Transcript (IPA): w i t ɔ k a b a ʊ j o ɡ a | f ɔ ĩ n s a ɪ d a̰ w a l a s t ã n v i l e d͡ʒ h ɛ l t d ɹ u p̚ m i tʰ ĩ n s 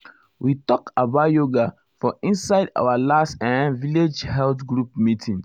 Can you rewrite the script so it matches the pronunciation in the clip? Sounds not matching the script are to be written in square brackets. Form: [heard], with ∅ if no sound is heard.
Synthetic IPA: w i t ɔ k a b a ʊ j o ɡ a | f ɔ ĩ n s a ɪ d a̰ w a l a s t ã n v i l e d͡ʒ h ɛ l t [ɡ] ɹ u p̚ m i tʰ ĩ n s